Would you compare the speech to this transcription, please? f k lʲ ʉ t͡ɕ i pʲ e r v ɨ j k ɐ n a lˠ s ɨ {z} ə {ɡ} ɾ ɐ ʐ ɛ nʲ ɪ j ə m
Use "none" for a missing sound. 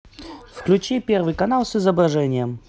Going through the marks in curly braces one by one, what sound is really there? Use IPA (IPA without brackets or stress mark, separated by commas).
z, b